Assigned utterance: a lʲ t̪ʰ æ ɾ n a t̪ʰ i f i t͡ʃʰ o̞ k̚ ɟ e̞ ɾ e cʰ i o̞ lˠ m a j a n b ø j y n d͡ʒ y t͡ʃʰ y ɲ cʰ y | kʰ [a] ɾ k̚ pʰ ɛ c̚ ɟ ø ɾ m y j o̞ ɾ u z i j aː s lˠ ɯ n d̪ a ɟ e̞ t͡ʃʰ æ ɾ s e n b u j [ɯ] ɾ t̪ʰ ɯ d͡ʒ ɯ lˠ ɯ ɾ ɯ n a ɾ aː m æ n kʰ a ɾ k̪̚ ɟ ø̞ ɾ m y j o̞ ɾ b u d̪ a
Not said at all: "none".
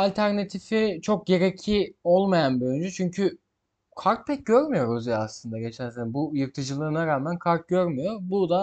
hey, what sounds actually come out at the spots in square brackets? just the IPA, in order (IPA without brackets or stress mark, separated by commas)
a, ɯ